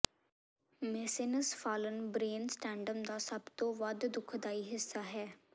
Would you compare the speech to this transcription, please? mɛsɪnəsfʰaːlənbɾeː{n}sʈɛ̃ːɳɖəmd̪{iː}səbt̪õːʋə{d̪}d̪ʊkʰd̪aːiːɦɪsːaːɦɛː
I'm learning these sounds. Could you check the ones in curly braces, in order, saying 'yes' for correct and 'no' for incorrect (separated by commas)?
yes, no, yes